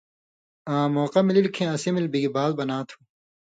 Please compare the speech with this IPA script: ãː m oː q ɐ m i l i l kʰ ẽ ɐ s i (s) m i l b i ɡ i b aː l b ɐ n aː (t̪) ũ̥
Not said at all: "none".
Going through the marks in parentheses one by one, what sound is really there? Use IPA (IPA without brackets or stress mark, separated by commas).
none, t̪ʰ